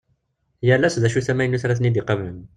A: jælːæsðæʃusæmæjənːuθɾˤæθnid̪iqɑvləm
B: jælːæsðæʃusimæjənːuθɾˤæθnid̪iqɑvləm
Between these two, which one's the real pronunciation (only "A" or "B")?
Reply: A